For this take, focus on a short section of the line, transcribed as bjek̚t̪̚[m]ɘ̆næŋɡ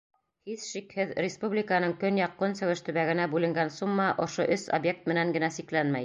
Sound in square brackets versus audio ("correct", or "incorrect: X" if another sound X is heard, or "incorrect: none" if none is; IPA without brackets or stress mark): correct